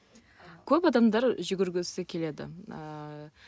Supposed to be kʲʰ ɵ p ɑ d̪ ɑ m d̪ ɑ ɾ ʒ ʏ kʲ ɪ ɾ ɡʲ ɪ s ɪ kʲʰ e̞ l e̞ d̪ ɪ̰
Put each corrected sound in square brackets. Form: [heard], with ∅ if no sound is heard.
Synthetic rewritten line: kʲʰ ɵ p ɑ d̪ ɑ m d̪ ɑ ɾ ʒ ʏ [ɡʲ] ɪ ɾ ɡʲ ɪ s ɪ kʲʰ e̞ l e̞ d̪ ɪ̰

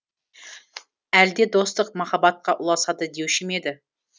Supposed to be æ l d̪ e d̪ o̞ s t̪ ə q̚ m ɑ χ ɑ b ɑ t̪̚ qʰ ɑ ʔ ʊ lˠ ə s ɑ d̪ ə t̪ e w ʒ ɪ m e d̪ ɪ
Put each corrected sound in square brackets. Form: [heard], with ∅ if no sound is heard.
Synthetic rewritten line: æ l d̪ e d̪ o̞ s t̪ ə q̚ m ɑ χ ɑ b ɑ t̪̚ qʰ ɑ ʔ ʊ lˠ [ɑ] s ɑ d̪ ə [d̪] e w [ʃ] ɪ m e d̪ ɪ

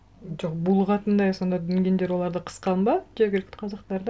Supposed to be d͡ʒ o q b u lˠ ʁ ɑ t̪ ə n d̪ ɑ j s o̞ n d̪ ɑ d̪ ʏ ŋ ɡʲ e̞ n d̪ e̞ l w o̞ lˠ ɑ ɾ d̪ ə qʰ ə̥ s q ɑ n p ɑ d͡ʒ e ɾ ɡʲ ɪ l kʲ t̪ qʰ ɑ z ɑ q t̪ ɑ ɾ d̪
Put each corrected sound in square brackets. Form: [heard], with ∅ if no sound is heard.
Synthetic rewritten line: d͡ʒ o q b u lˠ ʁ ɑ t̪ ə n d̪ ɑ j s o̞ n d̪ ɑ d̪ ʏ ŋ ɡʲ e̞ n d̪ e̞ [ɾ] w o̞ lˠ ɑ ɾ d̪ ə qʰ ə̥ s q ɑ n [b] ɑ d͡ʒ e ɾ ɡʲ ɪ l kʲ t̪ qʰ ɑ z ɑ q t̪ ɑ ɾ d̪

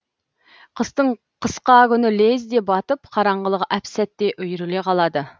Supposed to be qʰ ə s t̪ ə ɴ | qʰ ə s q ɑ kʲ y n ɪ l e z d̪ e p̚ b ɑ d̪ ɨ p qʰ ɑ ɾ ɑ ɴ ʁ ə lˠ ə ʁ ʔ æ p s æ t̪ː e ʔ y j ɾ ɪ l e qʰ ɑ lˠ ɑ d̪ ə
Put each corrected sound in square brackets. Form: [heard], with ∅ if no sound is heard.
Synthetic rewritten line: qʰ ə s t̪ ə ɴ | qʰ ə s q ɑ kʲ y n ɪ l e z d̪ e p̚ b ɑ [t̪] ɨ p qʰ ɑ ɾ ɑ ɴ ʁ ə lˠ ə ʁ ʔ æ p s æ t̪ː e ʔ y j ɾ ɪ l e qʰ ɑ lˠ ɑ d̪ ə

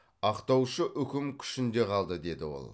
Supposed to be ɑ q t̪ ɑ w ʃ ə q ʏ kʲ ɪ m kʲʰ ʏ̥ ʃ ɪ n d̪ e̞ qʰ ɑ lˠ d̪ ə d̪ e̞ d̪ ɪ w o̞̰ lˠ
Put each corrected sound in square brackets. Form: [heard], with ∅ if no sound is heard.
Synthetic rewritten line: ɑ q t̪ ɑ w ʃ ə [ʔ] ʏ kʲ ɪ m kʲʰ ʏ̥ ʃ ɪ n d̪ e̞ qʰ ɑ lˠ d̪ ə d̪ e̞ d̪ ɪ w o̞̰ lˠ

